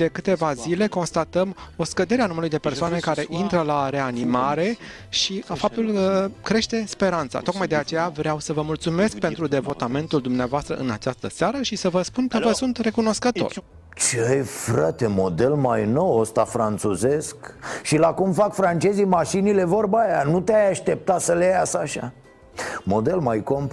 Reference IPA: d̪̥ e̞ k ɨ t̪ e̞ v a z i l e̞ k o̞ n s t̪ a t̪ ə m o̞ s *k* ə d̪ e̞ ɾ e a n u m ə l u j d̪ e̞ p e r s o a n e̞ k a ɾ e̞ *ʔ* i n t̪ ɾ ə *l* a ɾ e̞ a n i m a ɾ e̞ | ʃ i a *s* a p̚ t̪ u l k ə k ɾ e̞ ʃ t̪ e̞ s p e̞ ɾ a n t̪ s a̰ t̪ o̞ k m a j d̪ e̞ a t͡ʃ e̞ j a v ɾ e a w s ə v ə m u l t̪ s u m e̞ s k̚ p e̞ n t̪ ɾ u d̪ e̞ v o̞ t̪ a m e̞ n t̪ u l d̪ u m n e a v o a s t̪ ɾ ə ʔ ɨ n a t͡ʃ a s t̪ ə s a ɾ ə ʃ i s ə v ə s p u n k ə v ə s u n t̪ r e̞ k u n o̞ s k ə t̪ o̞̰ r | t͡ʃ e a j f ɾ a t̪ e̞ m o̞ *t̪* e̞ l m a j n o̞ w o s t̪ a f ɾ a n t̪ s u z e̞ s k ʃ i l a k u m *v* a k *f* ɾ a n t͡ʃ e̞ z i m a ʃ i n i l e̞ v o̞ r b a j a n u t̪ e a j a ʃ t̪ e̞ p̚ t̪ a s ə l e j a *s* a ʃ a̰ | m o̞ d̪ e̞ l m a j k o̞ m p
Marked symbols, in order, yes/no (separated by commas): yes, yes, yes, no, no, no, yes, yes